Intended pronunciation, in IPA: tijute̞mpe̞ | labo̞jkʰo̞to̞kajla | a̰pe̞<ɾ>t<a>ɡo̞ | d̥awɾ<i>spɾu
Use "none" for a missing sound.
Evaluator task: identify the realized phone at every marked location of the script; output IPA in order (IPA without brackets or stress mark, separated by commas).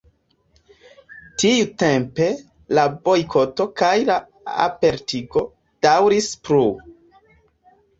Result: ɾ, i, i